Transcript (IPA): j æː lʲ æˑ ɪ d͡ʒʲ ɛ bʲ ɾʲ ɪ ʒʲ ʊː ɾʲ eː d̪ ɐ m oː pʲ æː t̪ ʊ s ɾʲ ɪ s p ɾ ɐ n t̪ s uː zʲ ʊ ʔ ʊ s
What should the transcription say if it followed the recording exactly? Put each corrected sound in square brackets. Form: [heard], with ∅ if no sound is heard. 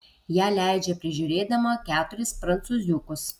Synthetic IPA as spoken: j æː lʲ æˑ ɪ d͡ʒʲ ɛ [pʲ] ɾʲ ɪ ʒʲ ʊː ɾʲ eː d̪ ɐ m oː [kʲ] æː t̪ ʊ [∅] ɾʲ ɪ s p ɾ ɐ n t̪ s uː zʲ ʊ [k] ʊ s